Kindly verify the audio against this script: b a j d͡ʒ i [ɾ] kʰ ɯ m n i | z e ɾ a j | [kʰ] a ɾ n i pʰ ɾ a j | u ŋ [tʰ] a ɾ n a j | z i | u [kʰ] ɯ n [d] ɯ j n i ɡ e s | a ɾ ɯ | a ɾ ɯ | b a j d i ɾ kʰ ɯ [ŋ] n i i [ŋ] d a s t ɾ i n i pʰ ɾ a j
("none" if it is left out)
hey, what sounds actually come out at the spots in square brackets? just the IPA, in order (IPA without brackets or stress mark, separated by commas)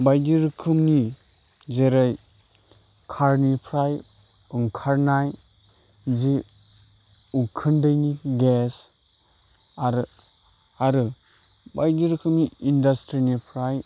ɾ, kʰ, kʰ, kʰ, d, m, n